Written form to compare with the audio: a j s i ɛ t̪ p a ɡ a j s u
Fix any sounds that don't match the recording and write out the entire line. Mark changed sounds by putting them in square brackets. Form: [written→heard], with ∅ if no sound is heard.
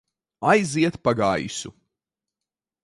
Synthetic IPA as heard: a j [s→z] i ɛ t̪ p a ɡ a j s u